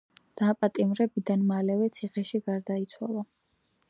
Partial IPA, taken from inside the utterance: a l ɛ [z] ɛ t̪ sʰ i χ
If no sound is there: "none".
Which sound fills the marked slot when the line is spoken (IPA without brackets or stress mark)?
v